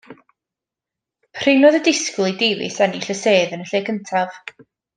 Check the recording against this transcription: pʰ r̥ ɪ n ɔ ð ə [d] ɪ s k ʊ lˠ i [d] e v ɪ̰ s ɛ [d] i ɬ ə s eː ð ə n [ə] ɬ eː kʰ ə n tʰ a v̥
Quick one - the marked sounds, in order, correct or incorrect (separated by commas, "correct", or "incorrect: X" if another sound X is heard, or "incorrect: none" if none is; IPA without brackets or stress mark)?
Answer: correct, correct, incorrect: n, correct